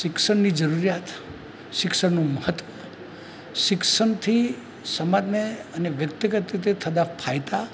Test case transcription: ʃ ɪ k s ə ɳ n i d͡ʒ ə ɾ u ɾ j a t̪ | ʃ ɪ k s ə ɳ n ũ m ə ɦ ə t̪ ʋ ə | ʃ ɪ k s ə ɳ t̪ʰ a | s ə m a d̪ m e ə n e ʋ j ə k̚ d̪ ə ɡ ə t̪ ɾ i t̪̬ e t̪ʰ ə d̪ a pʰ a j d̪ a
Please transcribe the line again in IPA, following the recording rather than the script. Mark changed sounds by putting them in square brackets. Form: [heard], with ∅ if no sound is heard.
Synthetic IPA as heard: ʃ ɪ k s ə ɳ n i d͡ʒ ə ɾ u ɾ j a t̪ | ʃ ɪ k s ə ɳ n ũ m ə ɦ ə t̪ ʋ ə | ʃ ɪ k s ə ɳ t̪ʰ [i] | s ə m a d̪ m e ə n e ʋ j ə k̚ [t̪] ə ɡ ə t̪ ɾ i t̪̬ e t̪ʰ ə d̪ a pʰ a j [t̪] a